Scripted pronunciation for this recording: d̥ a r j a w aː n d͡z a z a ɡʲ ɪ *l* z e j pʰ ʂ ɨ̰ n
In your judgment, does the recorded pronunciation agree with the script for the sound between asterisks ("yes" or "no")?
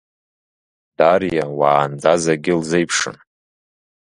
yes